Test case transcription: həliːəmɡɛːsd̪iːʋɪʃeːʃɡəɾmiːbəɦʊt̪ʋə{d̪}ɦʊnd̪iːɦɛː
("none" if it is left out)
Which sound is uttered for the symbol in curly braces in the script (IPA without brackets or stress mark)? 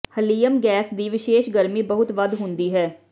d̪